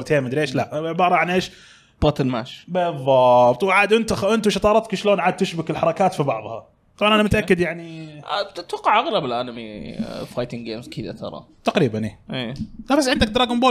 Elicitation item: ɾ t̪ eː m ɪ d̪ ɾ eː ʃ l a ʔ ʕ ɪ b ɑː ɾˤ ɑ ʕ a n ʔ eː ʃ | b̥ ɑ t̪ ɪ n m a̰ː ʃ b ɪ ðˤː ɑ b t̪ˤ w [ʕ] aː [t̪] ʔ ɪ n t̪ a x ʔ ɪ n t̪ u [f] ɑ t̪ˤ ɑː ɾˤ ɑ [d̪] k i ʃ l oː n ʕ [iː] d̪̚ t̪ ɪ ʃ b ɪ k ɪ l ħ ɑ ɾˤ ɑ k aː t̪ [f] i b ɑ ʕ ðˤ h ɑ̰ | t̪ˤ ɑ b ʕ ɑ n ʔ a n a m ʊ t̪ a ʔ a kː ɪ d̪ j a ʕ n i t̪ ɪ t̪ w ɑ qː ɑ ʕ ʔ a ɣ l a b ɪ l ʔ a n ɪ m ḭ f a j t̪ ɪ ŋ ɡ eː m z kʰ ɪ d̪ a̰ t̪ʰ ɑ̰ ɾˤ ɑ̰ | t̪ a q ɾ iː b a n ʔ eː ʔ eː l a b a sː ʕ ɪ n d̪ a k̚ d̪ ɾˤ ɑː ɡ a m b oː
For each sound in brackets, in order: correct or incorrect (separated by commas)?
correct, incorrect, incorrect, incorrect, incorrect, correct